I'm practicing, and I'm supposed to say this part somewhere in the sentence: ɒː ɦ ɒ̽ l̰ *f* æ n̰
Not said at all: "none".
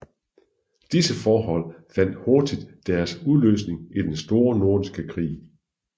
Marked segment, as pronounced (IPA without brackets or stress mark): f